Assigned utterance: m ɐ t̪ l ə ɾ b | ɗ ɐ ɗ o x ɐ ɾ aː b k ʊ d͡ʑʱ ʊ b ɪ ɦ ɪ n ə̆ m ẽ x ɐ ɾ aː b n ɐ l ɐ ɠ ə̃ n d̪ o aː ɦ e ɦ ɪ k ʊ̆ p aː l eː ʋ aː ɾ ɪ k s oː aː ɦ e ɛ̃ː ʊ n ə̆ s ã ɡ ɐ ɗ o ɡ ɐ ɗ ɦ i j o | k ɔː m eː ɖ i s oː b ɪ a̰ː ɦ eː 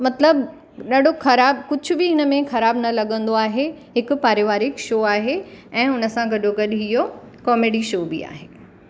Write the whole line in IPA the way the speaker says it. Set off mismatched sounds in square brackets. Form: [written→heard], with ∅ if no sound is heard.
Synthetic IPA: m ɐ t̪ l ə [ɾ→∅] b | ɗ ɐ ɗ o x ɐ ɾ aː b k ʊ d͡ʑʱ ʊ b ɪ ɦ ɪ n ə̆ m ẽ x ɐ ɾ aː b n ɐ l ɐ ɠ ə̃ n d̪ o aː ɦ e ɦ ɪ k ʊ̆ p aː [l→ɾ] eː ʋ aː ɾ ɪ k [s→ʃ] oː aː ɦ e ɛ̃ː ʊ n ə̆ s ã ɡ ɐ ɗ o ɡ ɐ ɗ ɦ i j o | k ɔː m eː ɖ i [s→ʃ] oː b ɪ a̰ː ɦ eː